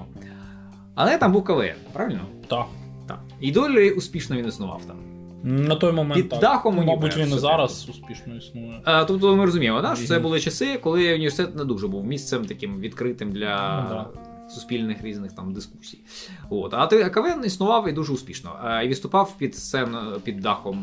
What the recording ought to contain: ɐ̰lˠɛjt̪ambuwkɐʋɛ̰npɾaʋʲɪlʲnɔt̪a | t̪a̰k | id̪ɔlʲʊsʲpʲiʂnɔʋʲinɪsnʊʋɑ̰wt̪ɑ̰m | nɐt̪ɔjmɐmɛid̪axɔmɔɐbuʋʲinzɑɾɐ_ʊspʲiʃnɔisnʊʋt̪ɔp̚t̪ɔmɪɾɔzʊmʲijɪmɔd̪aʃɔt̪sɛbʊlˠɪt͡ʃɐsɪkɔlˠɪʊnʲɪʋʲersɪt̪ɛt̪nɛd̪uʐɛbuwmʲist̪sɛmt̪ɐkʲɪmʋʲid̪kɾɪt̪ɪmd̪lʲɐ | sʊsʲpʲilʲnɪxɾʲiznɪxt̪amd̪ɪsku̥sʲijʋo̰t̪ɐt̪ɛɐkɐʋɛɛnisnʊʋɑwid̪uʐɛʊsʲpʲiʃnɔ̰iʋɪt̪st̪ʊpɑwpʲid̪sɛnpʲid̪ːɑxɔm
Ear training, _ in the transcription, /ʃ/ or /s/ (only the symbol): s